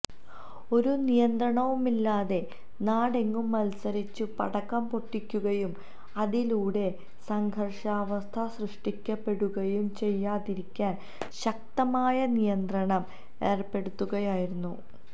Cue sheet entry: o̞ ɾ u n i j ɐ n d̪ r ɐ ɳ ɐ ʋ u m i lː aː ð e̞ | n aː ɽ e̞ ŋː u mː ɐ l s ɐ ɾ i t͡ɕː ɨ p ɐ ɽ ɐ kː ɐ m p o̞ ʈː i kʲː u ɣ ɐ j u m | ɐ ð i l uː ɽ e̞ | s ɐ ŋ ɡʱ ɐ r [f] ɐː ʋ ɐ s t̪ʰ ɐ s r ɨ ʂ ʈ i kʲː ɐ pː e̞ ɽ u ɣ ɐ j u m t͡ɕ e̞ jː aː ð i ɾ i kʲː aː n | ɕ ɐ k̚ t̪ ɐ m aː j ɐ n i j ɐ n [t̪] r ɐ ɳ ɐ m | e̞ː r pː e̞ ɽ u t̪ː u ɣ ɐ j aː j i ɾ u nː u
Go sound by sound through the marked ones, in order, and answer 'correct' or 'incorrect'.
incorrect: ʂ, incorrect: d̪

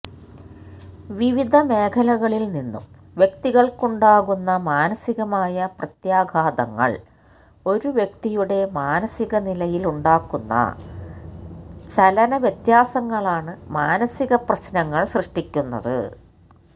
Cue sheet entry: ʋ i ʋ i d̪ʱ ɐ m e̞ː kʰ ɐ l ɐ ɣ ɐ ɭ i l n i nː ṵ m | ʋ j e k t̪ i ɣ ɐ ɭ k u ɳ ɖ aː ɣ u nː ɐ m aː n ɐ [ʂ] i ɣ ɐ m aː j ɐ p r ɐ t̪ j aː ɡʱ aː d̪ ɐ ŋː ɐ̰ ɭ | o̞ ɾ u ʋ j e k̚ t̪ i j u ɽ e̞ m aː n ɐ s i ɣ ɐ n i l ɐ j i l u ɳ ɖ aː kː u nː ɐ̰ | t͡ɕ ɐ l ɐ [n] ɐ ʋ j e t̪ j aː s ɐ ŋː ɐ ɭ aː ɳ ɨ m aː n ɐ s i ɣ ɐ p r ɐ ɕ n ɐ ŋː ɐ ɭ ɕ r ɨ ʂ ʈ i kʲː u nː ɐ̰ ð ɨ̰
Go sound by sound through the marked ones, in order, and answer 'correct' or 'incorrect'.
incorrect: s, correct

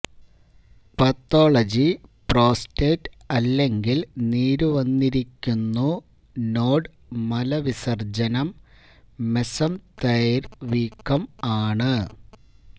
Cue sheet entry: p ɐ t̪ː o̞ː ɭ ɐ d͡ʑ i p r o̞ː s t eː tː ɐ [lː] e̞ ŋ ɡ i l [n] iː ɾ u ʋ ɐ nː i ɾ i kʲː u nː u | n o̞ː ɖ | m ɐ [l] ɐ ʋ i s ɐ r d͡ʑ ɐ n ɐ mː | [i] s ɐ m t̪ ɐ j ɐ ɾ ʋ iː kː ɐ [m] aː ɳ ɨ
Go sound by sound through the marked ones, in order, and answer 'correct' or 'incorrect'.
correct, correct, correct, incorrect: e, correct

